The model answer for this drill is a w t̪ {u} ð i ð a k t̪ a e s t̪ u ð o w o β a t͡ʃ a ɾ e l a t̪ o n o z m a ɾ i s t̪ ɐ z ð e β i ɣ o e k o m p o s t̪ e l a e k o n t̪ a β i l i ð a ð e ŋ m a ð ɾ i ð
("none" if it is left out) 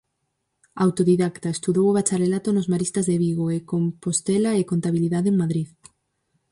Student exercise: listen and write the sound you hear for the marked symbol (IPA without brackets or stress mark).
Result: o